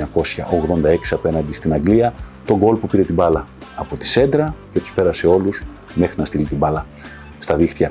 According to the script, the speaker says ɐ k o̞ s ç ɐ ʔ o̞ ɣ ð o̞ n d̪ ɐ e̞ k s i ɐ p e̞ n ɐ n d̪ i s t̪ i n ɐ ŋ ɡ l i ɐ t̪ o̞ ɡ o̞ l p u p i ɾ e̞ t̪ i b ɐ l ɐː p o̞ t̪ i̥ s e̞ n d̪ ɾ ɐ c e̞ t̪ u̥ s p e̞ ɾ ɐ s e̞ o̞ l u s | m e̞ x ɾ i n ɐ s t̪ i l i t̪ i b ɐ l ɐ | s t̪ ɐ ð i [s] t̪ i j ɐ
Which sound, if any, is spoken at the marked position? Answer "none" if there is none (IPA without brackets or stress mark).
x